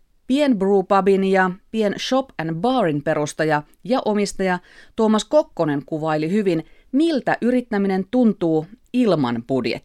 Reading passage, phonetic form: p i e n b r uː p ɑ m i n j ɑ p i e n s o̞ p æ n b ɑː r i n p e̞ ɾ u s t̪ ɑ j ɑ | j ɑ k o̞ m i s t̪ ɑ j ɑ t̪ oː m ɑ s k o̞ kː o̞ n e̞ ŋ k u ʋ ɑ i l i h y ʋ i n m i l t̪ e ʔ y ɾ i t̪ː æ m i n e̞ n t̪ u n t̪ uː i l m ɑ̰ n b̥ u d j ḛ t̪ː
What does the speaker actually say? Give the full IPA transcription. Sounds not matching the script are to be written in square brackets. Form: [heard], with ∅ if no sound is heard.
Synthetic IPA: p i e n b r uː p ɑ [b] i n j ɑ p i e n [ʃ] o̞ p æ n b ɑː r i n p e̞ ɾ u s t̪ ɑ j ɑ | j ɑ [ʔ] o̞ m i s t̪ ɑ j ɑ t̪ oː m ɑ s k o̞ kː o̞ n e̞ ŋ k u ʋ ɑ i l i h y ʋ i n m i l t̪ [æ] ʔ y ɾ i t̪ː æ m i n e̞ n t̪ u n t̪ uː i l m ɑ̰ n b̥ u d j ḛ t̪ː